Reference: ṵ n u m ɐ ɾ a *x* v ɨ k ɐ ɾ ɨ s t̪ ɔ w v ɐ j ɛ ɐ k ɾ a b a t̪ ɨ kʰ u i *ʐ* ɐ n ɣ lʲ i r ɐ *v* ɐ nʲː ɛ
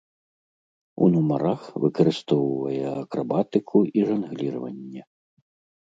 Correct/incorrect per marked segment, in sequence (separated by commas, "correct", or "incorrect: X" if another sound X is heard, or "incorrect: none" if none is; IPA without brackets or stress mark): correct, correct, correct